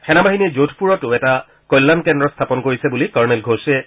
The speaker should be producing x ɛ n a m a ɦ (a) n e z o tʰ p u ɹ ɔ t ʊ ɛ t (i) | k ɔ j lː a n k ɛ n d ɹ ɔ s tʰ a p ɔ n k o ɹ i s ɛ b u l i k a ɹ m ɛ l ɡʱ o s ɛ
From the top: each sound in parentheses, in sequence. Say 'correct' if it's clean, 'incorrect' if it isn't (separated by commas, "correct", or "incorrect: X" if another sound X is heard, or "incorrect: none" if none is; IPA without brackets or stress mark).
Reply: incorrect: i, incorrect: a